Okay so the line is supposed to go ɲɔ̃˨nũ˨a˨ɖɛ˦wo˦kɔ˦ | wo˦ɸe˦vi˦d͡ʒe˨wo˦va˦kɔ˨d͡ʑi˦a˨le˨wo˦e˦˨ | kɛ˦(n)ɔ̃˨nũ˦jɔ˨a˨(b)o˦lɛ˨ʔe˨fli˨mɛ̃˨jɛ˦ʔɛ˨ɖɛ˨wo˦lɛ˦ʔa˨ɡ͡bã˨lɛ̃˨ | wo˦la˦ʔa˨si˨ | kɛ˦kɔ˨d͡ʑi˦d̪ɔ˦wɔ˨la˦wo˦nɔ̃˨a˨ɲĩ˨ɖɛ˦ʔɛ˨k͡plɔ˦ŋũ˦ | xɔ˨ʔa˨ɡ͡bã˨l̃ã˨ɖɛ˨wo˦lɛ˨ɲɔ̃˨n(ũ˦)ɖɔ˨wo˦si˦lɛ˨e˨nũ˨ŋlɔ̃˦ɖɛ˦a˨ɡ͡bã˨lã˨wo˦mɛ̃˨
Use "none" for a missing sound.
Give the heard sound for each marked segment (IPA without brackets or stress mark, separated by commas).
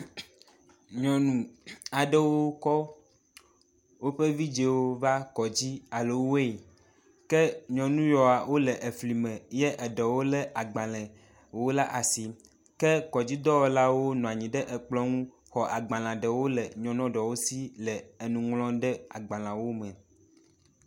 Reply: ɲ, w, ɔ̃˦